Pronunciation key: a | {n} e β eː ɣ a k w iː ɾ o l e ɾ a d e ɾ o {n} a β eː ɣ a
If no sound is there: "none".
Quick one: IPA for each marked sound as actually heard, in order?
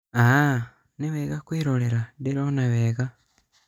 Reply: n, n

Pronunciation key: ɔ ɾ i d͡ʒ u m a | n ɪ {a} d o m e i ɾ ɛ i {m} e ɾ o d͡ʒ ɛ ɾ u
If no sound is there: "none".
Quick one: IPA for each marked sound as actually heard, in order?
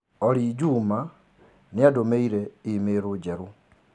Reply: a, m

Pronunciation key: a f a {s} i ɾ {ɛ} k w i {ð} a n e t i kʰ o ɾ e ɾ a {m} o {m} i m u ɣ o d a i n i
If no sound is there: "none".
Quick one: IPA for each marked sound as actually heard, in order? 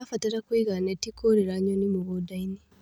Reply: t, a, ɣ, ɲ, n

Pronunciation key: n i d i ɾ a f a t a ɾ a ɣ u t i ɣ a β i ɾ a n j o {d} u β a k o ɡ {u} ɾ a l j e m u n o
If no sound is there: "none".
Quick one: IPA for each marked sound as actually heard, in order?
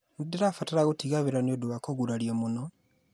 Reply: d, u

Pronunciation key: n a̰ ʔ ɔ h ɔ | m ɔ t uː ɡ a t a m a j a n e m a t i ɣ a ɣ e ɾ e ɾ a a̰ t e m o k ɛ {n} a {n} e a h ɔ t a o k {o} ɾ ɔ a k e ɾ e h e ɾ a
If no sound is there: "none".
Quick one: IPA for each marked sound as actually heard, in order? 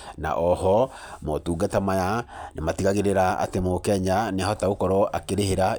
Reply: ɲ, n, ɔ

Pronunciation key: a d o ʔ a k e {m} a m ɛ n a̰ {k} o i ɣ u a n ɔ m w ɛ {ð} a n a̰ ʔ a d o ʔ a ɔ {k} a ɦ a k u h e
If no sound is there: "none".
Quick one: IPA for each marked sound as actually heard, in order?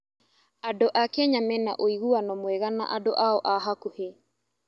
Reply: ɲ, ʔ, ɣ, ʔ

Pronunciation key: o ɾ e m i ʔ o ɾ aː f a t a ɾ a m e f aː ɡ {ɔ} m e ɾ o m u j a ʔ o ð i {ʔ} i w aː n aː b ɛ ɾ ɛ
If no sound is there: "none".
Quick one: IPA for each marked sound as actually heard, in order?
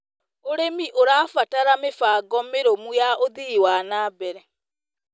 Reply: ɔ, none

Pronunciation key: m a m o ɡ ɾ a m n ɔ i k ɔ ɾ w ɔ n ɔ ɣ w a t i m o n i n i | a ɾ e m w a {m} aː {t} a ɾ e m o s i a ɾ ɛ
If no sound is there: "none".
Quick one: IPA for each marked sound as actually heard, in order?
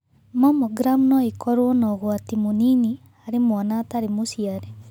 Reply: n, t

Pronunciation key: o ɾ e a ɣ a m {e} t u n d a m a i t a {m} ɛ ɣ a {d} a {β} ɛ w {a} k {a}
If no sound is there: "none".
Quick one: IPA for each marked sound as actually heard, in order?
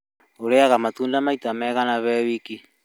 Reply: a, m, n, β, i, i

